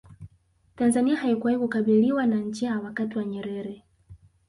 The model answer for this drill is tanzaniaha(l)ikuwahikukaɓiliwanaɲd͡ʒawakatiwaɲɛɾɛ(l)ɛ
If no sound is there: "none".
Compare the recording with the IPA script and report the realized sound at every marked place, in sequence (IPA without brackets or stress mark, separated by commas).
none, ɾ